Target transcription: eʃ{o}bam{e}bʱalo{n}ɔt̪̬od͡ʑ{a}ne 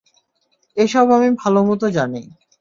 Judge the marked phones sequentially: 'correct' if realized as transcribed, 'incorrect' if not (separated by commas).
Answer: incorrect, incorrect, incorrect, correct